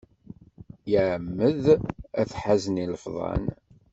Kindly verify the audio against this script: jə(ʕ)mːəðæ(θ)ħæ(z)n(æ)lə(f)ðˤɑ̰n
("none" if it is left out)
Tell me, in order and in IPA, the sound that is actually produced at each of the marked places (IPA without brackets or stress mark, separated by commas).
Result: ʕ, θ, z, i, f